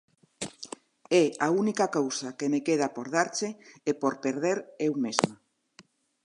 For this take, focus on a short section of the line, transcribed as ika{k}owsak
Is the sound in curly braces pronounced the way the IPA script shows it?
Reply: yes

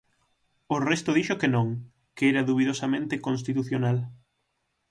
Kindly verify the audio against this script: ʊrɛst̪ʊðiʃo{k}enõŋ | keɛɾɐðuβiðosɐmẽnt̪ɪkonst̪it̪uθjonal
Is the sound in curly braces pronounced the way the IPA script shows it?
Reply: yes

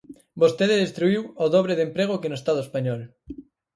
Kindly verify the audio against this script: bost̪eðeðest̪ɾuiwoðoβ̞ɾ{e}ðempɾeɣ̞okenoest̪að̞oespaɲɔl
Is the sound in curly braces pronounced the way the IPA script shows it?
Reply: yes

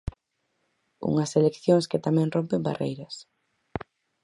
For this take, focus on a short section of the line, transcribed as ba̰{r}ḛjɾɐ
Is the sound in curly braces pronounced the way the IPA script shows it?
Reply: yes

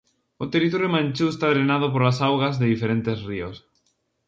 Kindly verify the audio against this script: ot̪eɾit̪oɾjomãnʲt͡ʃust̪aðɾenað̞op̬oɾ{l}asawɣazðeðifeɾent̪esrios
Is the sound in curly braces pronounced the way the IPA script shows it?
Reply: yes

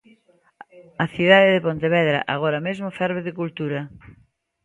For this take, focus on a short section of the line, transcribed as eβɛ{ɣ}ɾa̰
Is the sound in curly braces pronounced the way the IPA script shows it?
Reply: no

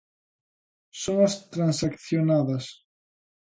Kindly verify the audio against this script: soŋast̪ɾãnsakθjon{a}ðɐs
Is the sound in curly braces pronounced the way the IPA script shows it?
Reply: yes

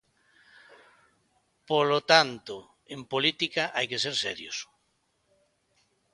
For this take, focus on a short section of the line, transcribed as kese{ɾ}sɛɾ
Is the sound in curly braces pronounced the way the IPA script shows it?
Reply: yes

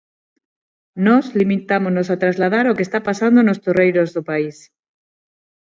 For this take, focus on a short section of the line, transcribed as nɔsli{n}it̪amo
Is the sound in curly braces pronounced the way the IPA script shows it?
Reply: no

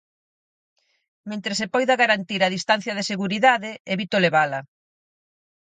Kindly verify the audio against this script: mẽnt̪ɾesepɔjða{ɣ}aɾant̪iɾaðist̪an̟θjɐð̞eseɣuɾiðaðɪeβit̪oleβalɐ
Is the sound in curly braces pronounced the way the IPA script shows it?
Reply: yes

